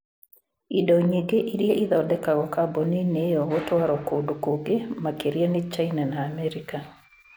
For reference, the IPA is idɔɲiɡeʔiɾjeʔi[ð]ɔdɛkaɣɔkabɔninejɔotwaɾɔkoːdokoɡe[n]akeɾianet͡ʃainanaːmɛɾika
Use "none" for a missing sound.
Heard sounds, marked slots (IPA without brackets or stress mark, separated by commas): ð, m